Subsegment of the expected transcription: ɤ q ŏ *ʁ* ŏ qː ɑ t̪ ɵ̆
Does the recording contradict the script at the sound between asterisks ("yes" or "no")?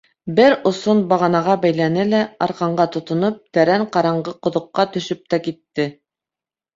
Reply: yes